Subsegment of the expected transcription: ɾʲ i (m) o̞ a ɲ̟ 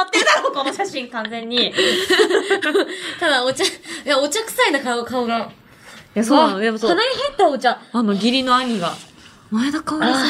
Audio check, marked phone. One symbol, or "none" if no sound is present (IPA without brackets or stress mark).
n